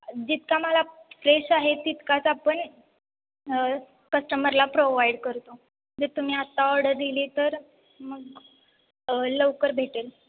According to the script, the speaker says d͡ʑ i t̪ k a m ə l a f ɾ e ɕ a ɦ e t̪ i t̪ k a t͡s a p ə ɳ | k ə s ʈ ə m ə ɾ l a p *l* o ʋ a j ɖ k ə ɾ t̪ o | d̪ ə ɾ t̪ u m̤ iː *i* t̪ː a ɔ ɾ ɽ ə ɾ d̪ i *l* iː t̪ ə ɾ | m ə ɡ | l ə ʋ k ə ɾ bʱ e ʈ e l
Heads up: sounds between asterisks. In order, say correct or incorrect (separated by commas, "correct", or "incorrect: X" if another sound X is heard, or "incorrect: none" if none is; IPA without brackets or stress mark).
incorrect: ɾ, incorrect: a, correct